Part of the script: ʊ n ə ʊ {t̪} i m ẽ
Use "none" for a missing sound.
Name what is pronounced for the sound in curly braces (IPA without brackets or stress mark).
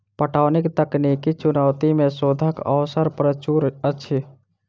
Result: t̪